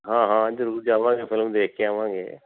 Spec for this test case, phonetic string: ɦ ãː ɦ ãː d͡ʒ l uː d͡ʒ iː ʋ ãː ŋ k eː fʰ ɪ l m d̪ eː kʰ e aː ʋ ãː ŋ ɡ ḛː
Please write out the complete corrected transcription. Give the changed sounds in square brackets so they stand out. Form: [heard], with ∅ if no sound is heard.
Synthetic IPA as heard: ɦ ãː ɦ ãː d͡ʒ [ɾ] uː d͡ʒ [aː] ʋ ãː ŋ [ɡ] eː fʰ ɪ l m d̪ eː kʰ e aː ʋ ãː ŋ ɡ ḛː